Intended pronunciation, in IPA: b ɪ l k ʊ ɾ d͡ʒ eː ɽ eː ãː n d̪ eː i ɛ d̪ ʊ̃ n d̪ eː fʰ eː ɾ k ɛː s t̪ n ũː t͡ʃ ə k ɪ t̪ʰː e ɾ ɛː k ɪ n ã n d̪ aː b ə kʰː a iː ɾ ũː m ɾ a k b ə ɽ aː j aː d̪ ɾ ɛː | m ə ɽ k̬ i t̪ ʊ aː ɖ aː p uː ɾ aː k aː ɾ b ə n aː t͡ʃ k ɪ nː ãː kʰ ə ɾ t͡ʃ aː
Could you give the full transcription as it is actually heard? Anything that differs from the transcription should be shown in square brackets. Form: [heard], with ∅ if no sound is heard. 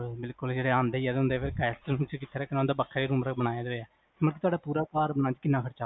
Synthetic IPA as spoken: b ɪ l k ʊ [l] d͡ʒ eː ɽ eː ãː n d̪ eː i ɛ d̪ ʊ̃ n d̪ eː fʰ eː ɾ k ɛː s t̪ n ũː t͡ʃ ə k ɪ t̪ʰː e ɾ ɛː k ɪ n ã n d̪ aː b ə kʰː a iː ɾ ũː m ɾ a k b ə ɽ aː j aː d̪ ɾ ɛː | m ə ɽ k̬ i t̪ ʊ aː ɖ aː p uː ɾ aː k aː ɾ b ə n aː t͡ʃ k ɪ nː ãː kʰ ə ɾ t͡ʃ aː